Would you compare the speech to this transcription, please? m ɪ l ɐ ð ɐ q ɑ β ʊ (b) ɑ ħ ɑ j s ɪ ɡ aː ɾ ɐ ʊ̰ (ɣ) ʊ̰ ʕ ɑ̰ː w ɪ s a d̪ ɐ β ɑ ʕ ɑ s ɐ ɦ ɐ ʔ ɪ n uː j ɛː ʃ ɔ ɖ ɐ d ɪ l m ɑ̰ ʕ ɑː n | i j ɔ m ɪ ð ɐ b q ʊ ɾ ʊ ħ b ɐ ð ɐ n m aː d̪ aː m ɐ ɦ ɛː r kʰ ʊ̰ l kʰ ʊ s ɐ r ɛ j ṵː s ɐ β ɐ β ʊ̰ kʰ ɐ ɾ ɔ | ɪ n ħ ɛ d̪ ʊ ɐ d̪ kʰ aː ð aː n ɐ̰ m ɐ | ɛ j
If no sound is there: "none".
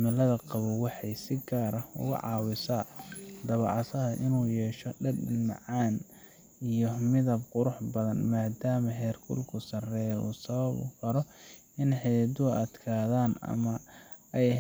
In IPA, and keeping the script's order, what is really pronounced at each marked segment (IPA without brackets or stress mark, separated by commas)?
w, ɣ